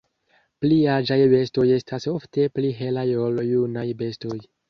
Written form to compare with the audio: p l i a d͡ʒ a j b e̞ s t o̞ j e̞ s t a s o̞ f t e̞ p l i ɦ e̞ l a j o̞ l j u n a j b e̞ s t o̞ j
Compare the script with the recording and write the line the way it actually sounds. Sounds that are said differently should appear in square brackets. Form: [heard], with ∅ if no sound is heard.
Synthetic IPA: p l i a d͡ʒ a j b e̞ s t o̞ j e̞ s t a s o̞ f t e̞ p l i ɦ e̞ l a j o̞ l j u n a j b e̞ s t o̞ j